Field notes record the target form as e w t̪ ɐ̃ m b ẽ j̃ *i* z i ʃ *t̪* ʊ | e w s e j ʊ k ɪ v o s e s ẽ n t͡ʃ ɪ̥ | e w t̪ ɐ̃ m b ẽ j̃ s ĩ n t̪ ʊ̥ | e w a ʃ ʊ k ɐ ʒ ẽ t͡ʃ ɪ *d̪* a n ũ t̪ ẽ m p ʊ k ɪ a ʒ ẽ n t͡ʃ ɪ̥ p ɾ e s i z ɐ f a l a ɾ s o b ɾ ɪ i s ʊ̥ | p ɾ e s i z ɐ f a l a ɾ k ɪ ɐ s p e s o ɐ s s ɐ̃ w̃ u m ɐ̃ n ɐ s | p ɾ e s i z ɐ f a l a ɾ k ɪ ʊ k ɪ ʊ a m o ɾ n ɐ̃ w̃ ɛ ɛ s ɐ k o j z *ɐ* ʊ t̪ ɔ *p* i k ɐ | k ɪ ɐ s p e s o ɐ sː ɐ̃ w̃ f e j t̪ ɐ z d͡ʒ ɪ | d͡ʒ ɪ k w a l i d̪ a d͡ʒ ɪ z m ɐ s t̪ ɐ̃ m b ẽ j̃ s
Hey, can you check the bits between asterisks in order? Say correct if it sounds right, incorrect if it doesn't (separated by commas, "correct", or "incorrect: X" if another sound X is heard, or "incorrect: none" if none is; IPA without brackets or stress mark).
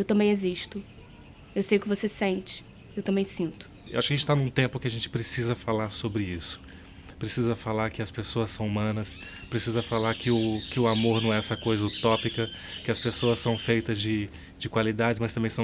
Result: incorrect: e, correct, incorrect: t̪, correct, correct